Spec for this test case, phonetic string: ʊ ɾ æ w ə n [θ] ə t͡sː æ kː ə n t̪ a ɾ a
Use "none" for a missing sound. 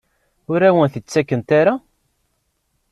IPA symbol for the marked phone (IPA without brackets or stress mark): θ